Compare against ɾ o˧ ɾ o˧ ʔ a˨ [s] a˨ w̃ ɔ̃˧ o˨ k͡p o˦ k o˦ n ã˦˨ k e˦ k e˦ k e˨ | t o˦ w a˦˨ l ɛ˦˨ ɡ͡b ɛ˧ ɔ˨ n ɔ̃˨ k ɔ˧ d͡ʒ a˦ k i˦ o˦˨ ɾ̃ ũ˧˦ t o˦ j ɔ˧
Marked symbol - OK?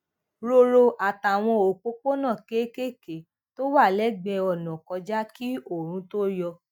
no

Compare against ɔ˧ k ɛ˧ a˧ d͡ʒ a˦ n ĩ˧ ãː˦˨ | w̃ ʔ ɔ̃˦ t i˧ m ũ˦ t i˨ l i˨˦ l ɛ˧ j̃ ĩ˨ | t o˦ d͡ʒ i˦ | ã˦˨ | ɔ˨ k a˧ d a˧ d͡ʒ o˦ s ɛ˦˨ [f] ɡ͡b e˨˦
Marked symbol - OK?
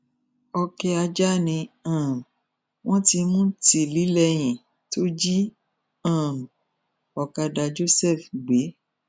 yes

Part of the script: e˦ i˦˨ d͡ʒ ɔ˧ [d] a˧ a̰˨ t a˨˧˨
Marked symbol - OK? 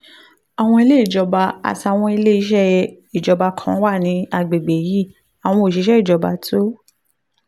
no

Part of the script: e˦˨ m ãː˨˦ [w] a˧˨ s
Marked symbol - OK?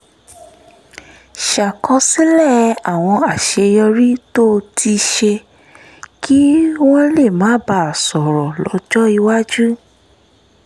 no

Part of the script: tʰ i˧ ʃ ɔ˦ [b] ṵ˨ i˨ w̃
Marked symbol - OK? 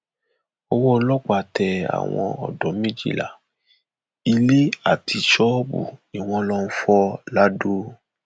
yes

